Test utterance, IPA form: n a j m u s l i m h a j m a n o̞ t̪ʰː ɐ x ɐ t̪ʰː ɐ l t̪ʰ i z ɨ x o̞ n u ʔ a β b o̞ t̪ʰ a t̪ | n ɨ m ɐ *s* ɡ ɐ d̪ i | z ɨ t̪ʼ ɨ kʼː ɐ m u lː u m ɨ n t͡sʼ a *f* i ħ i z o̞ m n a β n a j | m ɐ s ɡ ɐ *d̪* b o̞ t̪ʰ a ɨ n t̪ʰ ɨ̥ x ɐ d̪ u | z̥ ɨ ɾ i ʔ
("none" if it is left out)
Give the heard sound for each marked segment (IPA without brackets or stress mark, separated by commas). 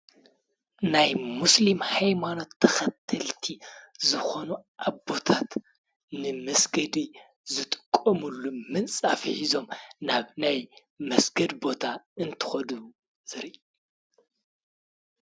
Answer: s, f, d̪